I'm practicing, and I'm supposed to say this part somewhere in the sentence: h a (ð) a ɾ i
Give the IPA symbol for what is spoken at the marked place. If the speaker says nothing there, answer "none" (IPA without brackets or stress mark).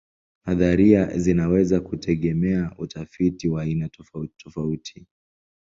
ð